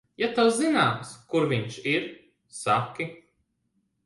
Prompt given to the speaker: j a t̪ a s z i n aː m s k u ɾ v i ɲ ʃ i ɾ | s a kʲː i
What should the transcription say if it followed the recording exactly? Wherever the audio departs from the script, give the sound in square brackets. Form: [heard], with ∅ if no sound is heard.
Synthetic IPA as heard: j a t̪ a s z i n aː m s k u ɾ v i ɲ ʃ i ɾ | s a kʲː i